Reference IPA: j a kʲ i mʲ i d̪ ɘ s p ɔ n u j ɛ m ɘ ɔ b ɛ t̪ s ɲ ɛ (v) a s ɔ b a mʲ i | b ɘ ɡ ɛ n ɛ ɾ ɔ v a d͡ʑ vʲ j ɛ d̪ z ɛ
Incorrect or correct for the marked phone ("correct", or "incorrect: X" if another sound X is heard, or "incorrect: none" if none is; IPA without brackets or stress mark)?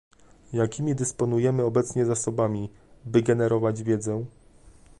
incorrect: z